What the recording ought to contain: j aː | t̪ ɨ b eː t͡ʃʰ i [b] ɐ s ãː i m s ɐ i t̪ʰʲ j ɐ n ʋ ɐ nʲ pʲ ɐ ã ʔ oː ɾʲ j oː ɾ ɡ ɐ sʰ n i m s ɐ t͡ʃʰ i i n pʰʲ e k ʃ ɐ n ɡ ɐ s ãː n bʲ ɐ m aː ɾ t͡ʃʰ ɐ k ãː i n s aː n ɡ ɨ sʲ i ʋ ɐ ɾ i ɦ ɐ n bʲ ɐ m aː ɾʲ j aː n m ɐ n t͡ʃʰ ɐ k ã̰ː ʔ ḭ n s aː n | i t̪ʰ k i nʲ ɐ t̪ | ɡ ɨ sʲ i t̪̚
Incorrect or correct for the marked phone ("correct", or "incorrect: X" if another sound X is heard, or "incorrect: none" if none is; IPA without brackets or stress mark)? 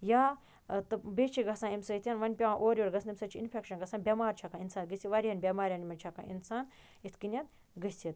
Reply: incorrect: ɡ